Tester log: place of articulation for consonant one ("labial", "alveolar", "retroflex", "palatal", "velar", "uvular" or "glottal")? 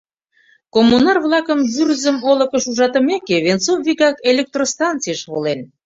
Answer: velar